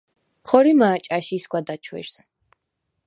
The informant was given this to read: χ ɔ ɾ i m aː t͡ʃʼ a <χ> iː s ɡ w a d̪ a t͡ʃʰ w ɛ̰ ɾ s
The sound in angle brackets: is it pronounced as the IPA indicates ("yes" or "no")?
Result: no